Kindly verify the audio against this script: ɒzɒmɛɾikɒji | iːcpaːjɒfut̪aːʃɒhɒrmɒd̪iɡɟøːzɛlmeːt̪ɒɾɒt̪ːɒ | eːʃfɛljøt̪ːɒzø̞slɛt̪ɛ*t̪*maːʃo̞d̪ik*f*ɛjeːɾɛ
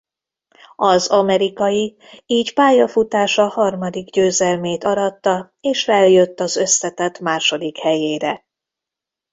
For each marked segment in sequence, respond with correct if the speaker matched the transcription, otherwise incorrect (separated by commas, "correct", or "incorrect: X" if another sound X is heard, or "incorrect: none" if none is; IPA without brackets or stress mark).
correct, incorrect: h